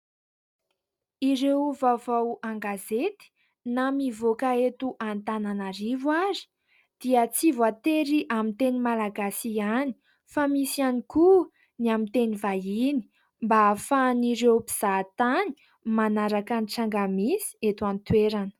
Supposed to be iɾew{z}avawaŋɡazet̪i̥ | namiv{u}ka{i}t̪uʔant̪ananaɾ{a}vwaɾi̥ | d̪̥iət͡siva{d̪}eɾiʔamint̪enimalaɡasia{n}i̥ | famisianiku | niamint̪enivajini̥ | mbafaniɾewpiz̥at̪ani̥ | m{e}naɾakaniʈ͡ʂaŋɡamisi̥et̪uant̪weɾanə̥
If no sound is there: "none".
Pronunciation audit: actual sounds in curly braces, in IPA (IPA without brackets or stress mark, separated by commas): v, o, e, i, t̪, n, a